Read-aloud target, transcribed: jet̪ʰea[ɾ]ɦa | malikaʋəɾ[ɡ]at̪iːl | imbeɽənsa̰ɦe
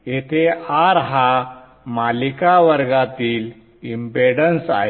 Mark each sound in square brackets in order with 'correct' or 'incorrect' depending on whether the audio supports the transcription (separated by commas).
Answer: correct, correct